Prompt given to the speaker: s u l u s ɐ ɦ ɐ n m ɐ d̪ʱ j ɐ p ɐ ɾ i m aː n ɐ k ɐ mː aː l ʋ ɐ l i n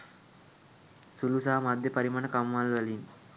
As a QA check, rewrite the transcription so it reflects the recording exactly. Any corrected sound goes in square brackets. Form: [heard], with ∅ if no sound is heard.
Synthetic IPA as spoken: s u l u s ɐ ɦ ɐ [∅] m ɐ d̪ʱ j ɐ p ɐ ɾ i m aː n ɐ k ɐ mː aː l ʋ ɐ l i n